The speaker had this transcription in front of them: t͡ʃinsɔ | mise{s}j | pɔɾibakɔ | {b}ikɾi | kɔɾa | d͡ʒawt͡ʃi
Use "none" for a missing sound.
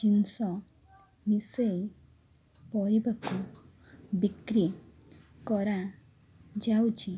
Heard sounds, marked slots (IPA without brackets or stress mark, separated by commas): none, b